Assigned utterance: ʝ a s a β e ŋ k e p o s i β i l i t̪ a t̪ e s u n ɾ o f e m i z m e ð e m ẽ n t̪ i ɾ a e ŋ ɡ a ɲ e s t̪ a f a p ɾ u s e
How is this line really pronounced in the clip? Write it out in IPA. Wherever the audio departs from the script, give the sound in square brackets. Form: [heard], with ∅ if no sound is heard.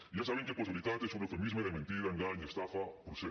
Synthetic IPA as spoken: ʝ a s a β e ŋ k e p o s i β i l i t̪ a t̪ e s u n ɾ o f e m i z m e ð e m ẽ n t̪ i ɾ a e ŋ ɡ a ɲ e s t̪ a f a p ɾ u s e